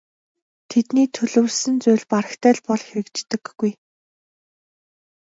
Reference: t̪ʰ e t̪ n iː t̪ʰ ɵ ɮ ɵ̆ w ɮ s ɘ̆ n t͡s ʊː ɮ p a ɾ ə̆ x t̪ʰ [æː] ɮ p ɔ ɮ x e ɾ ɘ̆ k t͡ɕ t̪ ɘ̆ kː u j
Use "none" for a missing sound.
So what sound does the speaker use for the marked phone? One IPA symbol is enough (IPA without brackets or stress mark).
æː